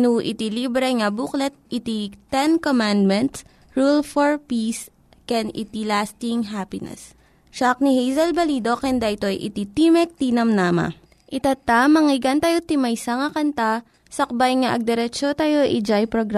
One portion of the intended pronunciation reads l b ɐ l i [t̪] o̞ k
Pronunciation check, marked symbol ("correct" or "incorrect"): incorrect